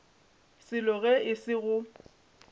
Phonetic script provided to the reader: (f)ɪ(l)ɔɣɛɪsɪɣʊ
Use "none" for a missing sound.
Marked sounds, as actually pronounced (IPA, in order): s, l

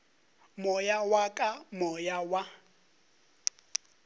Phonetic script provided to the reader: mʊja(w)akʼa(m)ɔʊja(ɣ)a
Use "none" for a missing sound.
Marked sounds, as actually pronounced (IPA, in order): w, m, w

